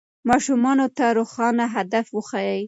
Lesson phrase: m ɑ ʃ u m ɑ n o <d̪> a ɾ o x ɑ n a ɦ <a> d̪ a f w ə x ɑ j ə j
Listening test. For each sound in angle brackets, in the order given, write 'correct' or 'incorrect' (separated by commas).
incorrect, correct